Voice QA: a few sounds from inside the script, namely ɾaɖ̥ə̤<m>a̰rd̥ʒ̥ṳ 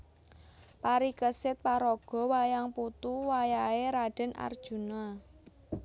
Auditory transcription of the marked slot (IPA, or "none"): n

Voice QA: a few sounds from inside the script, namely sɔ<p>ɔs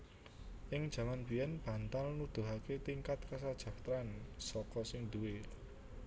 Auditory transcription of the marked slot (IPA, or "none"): k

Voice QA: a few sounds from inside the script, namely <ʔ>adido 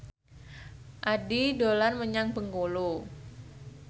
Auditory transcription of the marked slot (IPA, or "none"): ʔ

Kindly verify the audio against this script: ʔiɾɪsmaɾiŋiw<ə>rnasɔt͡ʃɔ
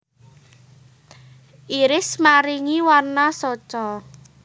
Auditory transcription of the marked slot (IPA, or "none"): a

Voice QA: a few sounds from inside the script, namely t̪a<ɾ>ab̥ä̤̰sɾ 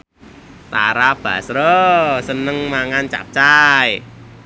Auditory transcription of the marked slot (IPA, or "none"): ɾ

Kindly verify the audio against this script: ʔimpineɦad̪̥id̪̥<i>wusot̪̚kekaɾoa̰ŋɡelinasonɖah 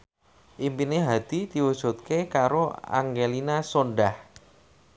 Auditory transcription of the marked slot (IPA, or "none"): i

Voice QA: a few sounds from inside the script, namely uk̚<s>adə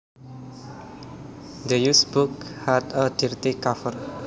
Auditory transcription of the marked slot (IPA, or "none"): h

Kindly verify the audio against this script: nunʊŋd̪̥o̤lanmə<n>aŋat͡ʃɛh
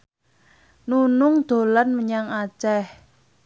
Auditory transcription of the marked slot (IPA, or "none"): ɲ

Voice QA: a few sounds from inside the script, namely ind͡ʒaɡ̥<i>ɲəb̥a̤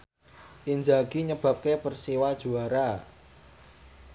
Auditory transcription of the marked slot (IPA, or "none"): i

